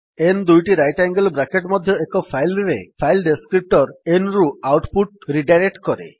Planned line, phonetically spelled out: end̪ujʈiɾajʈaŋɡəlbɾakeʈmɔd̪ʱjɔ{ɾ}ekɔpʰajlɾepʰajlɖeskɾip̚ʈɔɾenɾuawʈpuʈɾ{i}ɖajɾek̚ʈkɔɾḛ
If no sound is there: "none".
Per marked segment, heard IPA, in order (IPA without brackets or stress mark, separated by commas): none, i